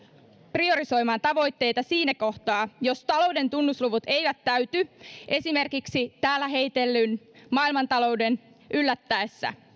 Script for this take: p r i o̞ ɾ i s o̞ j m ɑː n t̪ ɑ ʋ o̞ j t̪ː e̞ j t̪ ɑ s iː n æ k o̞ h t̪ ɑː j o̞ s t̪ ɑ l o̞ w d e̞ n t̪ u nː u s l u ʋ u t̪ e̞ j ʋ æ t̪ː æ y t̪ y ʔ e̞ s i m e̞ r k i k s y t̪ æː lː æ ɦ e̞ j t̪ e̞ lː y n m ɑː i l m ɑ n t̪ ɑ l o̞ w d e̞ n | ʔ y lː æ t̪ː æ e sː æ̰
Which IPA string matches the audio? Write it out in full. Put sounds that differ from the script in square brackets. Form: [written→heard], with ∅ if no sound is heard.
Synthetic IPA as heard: p r i o̞ ɾ i s o̞ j m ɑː n t̪ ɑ ʋ o̞ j t̪ː e̞ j t̪ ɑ s iː n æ k o̞ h t̪ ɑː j o̞ s t̪ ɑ l o̞ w d e̞ n t̪ u nː u s l u ʋ u t̪ e̞ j ʋ æ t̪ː æ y t̪ y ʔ e̞ s i m e̞ r k i k s [y→i] t̪ æː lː æ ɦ e̞ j t̪ e̞ lː y n m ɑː i l m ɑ n t̪ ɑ l o̞ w d e̞ n | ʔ y lː æ t̪ː æ e sː æ̰